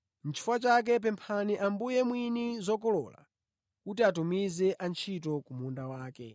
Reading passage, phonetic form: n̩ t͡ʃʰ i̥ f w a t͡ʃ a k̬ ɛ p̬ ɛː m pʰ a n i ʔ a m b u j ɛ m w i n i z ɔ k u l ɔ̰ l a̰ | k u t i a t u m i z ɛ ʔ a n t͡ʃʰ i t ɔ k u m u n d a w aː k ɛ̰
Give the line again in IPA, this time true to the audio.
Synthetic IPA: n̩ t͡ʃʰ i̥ f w a t͡ʃ a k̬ ɛ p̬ ɛ m pʰ a n i ʔ a m b u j ɛ m w i n i z ɔ k ɔ l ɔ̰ l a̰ | k u t i a t u m i z ɛ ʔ a n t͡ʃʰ i t ɔ k u m u n d a w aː k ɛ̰